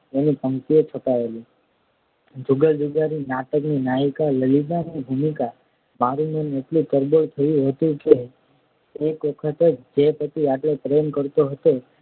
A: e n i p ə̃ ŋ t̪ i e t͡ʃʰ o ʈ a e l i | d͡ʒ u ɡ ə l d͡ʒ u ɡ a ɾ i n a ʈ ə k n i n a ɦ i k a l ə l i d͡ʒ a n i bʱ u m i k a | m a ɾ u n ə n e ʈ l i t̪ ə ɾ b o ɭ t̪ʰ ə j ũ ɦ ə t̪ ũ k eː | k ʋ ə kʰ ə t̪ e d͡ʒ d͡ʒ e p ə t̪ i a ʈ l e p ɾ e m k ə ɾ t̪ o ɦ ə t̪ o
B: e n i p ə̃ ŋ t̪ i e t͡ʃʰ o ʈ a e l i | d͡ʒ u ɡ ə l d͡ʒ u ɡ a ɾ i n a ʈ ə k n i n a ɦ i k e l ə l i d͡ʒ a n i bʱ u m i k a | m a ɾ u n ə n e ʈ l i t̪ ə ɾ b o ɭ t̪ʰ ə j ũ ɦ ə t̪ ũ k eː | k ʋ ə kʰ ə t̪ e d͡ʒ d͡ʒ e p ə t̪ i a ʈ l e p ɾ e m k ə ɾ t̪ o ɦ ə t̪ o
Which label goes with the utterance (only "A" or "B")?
A